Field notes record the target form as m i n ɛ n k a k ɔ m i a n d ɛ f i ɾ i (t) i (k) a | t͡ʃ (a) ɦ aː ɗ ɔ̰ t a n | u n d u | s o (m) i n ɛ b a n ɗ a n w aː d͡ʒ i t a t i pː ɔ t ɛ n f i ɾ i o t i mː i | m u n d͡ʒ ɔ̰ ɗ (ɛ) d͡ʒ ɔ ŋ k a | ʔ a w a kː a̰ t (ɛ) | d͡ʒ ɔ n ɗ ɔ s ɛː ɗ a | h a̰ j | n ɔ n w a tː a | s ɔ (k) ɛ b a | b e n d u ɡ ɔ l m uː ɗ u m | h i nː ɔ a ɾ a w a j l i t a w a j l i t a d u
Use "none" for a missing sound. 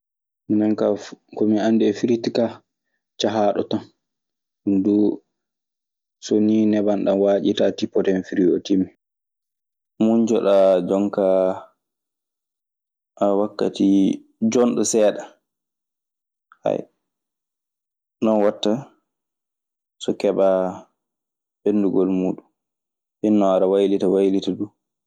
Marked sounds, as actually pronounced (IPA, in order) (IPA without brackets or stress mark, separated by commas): t, k, a, n, a, i, k